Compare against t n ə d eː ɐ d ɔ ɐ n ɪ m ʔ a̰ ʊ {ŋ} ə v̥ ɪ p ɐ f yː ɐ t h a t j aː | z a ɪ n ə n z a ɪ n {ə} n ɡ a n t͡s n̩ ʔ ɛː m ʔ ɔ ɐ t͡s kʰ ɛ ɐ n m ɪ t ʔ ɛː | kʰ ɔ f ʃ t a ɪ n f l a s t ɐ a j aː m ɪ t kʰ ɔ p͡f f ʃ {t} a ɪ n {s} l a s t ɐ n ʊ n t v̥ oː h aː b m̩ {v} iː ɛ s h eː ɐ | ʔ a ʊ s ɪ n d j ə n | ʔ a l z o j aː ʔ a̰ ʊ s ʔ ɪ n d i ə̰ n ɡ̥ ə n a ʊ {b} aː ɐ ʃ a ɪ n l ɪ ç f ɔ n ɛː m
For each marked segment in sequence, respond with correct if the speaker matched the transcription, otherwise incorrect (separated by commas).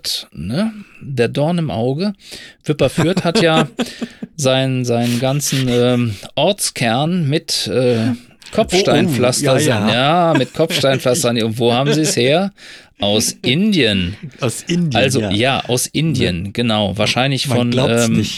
incorrect, correct, correct, incorrect, incorrect, incorrect